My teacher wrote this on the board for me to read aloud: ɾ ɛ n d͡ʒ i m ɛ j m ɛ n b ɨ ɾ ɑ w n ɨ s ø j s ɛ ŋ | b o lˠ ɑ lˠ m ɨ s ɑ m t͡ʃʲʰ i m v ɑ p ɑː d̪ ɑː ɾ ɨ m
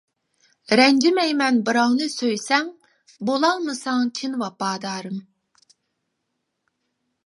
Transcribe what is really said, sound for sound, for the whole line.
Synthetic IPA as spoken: ɾ ɛ n d͡ʒ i m ɛ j m ɛ n b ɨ ɾ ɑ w n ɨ s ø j s ɛ ŋ | b o lˠ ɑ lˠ m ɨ s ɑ ŋ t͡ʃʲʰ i n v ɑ p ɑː d̪ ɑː ɾ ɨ m

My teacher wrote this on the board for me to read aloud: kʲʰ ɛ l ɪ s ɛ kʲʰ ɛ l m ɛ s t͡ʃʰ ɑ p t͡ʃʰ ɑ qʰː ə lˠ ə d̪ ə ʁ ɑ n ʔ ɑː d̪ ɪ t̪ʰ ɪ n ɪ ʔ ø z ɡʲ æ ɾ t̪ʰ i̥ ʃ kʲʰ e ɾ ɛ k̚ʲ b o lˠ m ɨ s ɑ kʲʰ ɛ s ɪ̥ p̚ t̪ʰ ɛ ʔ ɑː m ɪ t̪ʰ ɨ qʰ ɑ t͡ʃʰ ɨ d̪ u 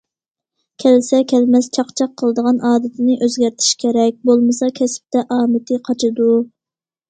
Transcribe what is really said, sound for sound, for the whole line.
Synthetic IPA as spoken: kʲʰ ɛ l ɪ s ɛ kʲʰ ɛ l m ɛ s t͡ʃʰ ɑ q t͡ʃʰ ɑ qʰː ə lˠ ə d̪ ə ʁ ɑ n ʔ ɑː d̪ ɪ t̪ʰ ɪ n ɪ ʔ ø z ɡʲ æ ɾ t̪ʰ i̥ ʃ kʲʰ e ɾ ɛ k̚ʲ b o lˠ m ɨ s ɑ kʲʰ ɛ s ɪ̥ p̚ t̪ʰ ɛ ʔ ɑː m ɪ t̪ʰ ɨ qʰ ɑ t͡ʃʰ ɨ d̪ u

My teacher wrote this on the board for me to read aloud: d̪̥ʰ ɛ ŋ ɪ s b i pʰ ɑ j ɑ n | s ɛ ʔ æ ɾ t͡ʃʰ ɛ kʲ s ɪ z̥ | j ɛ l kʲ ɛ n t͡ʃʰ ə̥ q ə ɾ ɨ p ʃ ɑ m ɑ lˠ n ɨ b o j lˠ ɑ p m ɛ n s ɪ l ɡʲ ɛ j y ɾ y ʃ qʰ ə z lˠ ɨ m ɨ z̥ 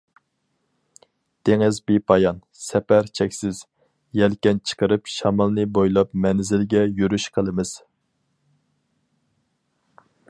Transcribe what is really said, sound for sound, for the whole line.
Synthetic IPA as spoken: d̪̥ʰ e ŋ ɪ z b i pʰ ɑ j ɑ n | s ɛ p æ ɾ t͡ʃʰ ɛ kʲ s ɪ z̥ | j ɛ l kʲ ɛ n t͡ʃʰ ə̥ q ə ɾ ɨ p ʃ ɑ m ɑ lˠ n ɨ b o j lˠ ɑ p m ɛ n z ɪ l ɡʲ ɛ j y ɾ y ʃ qʰ ə lˠ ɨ m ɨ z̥

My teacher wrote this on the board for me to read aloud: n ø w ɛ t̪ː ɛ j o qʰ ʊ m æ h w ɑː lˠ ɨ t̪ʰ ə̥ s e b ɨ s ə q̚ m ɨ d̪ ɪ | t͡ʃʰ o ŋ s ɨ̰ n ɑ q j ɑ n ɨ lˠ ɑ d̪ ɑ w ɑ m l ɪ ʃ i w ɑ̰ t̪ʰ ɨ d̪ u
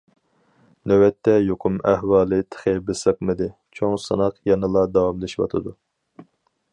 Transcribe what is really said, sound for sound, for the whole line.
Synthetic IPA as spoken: n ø w ɛ t̪ː ɛ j o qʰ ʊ m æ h w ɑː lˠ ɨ t̪ʰ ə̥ χ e b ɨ s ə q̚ m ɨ d̪ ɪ | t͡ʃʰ o ŋ s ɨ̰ n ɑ q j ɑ n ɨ lˠ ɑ d̪ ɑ w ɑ m l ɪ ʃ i w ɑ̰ t̪ʰ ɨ d̪ u

